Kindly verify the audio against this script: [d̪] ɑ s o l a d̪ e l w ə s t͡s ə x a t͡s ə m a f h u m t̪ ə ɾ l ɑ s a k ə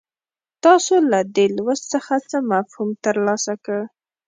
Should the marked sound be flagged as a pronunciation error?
yes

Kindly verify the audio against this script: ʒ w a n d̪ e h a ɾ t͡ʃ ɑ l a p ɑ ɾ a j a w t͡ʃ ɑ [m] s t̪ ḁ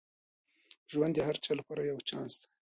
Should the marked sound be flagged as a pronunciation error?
yes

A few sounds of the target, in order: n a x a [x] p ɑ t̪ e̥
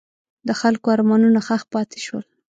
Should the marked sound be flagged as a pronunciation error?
no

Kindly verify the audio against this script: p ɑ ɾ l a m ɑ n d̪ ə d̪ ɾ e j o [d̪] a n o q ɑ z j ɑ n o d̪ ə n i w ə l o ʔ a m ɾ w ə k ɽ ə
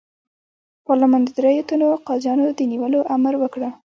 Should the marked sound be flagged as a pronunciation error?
yes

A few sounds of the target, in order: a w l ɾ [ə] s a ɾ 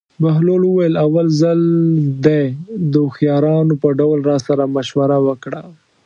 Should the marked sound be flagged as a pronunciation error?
yes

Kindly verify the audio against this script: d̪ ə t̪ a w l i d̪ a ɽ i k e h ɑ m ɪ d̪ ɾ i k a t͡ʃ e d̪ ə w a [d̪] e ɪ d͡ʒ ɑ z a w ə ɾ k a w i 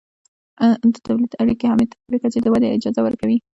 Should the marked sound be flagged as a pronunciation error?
no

